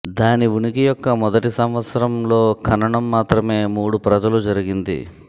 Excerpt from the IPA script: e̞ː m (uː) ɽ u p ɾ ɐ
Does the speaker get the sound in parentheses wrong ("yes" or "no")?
no